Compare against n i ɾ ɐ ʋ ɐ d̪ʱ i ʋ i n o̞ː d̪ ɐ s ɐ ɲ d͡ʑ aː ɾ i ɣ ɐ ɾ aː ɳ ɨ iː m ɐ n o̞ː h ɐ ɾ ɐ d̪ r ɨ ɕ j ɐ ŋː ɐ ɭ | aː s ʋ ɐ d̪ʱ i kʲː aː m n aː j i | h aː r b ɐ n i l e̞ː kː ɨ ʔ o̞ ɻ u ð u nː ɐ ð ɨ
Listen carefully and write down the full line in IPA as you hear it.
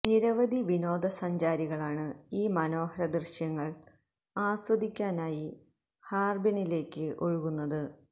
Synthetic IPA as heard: n i ɾ ɐ ʋ ɐ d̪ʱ i ʋ i n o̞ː d̪ ɐ s ɐ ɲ d͡ʑ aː ɾ i ɣ ɐ ɭ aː ɳ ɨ iː m ɐ n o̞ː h ɐ ɾ ɐ d̪ r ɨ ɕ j ɐ ŋː ɐ ɭ | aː s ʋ ɐ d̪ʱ i kʲː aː n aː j i | h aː r b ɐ n i l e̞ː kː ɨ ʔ o̞ ɻ u ɣ u nː ɐ ð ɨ